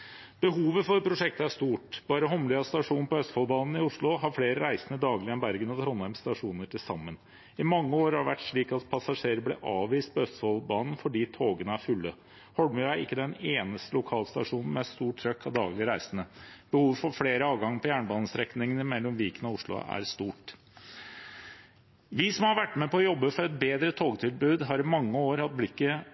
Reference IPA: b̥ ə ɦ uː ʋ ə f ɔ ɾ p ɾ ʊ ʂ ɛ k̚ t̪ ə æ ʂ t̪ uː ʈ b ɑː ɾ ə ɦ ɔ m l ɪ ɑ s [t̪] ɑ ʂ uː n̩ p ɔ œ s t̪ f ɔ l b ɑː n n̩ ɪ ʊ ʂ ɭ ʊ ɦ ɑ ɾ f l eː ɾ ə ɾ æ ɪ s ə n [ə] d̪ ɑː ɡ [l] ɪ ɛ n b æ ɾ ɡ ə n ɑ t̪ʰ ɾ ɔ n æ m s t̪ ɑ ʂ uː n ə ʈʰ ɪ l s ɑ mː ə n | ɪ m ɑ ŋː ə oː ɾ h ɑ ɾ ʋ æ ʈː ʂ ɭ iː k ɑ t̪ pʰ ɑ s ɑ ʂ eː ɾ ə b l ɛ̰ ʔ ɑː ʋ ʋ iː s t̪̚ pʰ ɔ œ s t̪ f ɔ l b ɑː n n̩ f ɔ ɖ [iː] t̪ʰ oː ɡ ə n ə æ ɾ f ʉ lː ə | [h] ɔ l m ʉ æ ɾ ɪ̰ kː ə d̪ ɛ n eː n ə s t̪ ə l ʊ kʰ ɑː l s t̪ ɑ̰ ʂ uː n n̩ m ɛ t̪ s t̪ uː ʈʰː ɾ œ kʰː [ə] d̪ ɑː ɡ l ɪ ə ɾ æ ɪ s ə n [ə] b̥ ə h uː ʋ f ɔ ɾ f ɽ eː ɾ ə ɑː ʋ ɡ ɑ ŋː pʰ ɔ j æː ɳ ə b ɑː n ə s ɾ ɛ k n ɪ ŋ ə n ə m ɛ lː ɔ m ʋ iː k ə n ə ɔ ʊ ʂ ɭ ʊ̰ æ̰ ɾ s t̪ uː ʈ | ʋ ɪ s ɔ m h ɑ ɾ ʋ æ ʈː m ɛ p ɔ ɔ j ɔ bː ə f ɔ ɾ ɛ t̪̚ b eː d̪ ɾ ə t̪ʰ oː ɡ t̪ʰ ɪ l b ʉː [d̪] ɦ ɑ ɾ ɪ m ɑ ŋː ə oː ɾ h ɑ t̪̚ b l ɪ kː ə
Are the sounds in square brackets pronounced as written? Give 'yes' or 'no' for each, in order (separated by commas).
yes, yes, yes, yes, yes, no, yes, yes